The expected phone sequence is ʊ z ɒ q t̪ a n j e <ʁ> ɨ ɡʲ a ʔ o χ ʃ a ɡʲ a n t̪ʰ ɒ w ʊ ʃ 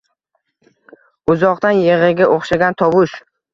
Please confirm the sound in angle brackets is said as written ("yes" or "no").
yes